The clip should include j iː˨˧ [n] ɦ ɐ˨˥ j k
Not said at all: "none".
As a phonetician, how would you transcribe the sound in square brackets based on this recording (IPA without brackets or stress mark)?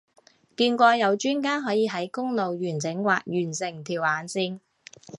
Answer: none